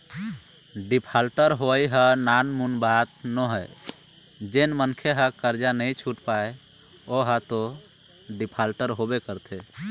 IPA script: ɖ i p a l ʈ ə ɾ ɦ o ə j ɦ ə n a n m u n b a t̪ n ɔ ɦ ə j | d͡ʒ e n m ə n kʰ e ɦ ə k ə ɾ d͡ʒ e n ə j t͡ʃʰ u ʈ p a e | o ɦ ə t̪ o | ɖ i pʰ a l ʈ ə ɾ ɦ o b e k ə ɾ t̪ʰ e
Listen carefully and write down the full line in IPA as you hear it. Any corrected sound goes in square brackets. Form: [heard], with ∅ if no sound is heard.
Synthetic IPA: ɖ i [pʰ] a l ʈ ə ɾ ɦ o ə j ɦ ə n a n m u n b a t̪ n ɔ ɦ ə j | d͡ʒ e n m ə n kʰ e ɦ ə k ə ɾ d͡ʒ [a] n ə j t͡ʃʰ u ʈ p a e | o ɦ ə t̪ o | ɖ i pʰ a l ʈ ə ɾ ɦ o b e k ə ɾ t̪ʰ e